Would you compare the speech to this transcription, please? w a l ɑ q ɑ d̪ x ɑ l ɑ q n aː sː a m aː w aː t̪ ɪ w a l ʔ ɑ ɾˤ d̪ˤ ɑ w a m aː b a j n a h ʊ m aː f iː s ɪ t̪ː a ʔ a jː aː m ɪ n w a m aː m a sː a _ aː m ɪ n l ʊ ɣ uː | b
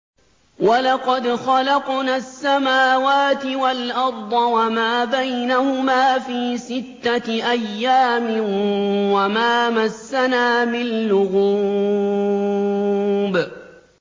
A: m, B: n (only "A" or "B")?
B